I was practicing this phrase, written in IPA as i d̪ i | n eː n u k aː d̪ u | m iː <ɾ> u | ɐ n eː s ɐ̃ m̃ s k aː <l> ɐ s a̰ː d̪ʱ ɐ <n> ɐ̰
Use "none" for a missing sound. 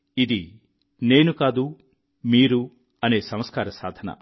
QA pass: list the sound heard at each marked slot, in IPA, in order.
ɾ, ɾ, n

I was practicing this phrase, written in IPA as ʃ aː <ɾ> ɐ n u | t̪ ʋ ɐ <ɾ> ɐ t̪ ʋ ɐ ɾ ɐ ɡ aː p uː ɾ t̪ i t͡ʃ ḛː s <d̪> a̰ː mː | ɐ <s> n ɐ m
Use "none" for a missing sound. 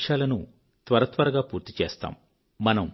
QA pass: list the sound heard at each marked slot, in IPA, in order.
l, ɾ, t̪, none

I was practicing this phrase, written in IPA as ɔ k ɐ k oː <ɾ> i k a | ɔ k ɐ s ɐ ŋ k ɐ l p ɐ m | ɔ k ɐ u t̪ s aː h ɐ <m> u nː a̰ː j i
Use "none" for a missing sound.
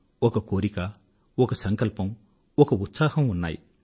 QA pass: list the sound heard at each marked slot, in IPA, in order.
ɾ, m

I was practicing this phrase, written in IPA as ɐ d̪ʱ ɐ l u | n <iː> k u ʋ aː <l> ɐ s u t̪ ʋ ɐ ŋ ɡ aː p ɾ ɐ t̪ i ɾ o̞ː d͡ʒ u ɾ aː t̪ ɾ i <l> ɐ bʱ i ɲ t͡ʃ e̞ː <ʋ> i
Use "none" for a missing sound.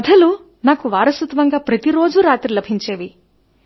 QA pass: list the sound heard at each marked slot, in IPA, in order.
aː, ɾ, l, ʋ

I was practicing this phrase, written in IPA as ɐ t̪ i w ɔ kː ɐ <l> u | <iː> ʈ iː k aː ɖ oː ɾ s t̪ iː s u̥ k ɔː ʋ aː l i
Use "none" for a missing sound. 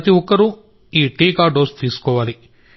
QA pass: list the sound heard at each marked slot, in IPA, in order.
ɾ, iː

